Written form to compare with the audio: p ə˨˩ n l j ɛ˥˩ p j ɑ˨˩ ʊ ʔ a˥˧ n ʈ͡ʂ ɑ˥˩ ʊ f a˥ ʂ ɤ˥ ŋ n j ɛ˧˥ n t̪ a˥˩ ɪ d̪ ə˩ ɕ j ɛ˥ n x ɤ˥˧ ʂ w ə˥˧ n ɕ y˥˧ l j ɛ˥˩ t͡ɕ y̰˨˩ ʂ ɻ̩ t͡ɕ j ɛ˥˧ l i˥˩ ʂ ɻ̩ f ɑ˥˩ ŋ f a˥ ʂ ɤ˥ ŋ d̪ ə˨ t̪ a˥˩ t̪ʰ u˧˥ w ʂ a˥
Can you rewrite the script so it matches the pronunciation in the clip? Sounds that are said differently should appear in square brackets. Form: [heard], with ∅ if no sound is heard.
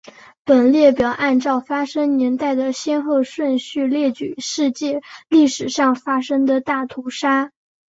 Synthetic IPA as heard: p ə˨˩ n l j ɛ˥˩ p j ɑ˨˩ ʊ ʔ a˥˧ n ʈ͡ʂ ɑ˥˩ ʊ f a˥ ʂ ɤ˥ ŋ n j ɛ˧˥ n t̪ a˥˩ ɪ d̪ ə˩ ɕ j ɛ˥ n x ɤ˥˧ ʂ w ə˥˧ n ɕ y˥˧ l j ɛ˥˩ t͡ɕ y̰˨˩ ʂ ɻ̩ t͡ɕ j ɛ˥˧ l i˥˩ ʂ ɻ̩ [ʂ] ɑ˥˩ ŋ f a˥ ʂ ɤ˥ ŋ d̪ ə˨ t̪ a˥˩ t̪ʰ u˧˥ [∅] ʂ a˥